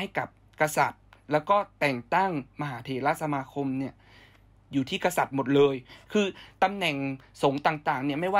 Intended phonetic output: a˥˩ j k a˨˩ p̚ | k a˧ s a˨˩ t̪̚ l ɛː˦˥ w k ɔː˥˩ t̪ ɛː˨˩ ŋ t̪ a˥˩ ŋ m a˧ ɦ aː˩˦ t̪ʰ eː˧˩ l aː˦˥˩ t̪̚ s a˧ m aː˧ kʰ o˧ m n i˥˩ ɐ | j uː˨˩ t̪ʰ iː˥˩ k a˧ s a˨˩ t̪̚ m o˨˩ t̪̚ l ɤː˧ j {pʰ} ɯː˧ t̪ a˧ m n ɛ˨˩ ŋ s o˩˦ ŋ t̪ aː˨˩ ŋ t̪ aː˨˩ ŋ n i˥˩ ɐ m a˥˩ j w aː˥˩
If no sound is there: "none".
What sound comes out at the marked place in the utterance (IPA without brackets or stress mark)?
kʰ